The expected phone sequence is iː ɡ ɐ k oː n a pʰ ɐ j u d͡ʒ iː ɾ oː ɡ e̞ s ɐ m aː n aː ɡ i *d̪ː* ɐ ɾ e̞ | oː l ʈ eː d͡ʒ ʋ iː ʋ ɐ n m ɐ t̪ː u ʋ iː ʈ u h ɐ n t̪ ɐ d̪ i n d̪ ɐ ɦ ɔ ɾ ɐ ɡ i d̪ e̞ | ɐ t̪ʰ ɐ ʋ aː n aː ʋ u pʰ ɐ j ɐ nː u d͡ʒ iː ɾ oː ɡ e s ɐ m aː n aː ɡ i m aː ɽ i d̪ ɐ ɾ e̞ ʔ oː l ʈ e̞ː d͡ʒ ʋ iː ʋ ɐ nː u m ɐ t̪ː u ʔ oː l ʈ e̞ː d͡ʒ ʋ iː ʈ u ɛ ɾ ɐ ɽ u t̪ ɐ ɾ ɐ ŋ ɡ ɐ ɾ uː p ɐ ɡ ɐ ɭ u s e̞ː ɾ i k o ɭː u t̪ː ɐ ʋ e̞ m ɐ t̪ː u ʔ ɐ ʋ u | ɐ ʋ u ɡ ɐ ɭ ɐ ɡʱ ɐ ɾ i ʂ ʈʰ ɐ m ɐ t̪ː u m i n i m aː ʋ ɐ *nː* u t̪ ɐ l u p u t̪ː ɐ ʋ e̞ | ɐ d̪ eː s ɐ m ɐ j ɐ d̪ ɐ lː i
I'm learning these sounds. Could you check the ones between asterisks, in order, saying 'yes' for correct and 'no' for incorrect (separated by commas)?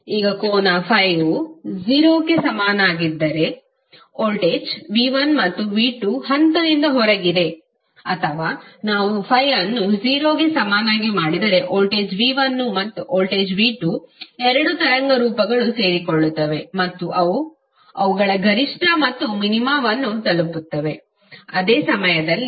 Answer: yes, yes